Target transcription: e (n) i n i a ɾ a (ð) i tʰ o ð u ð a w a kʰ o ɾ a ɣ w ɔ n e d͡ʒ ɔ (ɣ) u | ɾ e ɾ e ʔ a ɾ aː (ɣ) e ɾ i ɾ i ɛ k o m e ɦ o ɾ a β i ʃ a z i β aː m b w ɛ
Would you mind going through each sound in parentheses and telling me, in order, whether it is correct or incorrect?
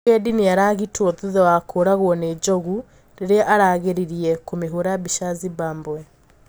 incorrect, incorrect, correct, correct

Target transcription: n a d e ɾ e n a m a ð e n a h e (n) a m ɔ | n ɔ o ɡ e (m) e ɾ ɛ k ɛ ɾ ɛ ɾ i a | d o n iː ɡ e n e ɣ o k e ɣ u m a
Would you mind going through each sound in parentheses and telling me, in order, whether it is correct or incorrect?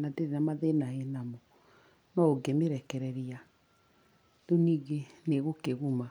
correct, correct

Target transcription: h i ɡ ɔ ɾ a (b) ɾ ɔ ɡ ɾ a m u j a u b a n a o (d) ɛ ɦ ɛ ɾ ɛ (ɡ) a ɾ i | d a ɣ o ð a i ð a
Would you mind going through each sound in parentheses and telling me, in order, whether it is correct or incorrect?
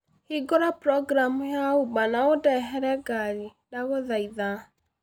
incorrect, correct, correct

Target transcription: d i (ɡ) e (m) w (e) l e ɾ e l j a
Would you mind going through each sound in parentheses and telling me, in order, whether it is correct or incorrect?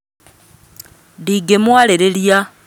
correct, correct, incorrect

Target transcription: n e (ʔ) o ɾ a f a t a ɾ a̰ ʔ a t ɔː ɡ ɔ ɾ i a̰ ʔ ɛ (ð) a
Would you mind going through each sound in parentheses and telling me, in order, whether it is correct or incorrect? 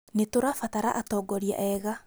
incorrect, incorrect

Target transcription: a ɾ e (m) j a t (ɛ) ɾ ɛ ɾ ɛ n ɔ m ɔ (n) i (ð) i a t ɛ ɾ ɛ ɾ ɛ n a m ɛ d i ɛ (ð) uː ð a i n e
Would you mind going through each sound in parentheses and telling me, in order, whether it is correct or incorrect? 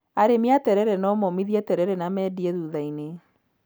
correct, correct, incorrect, correct, correct

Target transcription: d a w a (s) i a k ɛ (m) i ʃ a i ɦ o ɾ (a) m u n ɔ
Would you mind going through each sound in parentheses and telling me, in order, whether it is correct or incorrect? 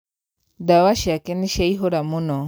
incorrect, incorrect, correct

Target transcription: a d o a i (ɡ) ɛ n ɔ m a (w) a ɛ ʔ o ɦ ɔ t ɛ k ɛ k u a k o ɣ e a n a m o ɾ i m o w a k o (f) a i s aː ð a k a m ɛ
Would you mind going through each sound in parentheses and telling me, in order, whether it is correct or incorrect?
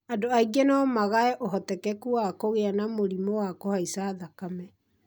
correct, incorrect, incorrect

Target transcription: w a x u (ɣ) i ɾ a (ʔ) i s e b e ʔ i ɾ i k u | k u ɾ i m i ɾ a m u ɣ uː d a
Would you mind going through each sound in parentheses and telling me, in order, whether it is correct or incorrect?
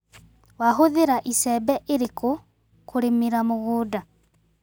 incorrect, correct

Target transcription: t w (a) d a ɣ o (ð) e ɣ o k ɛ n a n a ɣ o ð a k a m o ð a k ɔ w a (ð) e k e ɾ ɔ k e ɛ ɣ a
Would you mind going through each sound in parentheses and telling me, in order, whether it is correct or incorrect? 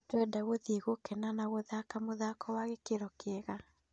incorrect, correct, incorrect

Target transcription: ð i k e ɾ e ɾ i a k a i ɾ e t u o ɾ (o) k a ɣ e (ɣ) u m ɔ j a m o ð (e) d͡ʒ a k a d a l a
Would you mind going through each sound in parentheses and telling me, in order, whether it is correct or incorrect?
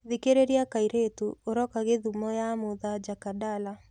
incorrect, incorrect, incorrect

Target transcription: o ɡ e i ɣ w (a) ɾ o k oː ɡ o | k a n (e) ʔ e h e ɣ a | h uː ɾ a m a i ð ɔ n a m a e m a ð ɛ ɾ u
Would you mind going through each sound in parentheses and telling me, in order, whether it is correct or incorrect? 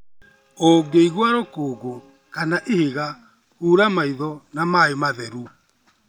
correct, incorrect

